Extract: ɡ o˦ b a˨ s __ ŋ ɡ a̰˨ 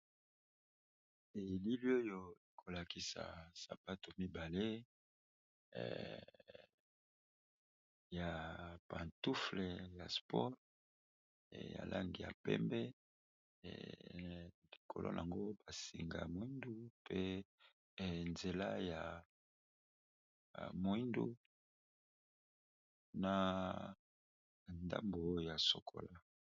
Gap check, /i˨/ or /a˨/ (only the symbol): i˨